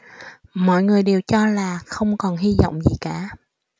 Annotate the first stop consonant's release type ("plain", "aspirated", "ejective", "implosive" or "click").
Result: implosive